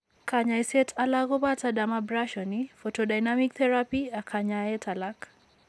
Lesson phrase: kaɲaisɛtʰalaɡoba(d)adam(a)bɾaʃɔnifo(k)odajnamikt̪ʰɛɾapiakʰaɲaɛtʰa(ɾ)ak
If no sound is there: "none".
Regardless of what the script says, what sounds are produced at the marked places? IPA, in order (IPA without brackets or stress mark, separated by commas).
t, a, t, l